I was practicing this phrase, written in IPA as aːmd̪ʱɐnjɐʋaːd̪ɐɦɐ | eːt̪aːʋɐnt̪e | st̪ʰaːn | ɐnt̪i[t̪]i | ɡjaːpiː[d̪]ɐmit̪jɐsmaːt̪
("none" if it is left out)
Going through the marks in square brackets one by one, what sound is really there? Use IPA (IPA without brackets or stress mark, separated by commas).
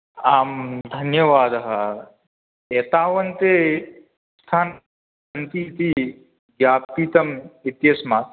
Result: t̪, t̪